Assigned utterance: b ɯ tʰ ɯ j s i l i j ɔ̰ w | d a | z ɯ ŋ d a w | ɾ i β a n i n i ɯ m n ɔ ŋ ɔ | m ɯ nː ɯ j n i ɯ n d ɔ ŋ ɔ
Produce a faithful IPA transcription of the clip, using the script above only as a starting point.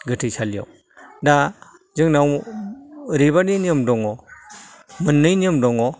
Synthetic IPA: ɡ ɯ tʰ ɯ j s a l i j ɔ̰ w | d a | z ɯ ŋ n a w | ɾ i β a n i n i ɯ m d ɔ ŋ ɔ | m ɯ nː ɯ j n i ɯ m d ɔ ŋ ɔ